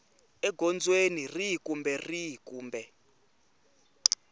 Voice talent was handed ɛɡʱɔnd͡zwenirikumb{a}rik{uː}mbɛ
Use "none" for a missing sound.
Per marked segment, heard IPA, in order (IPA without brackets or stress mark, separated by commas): ɛ, uː